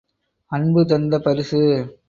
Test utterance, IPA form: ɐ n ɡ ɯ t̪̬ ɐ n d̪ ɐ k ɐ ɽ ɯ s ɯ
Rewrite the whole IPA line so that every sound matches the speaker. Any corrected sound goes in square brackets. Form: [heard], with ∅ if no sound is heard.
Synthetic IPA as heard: ɐ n [b] ɯ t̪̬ ɐ n d̪ ɐ [p] ɐ [ɾ] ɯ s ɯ